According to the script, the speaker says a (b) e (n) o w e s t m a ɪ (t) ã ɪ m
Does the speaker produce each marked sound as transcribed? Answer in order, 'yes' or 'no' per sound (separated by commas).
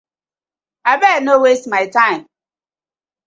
yes, yes, yes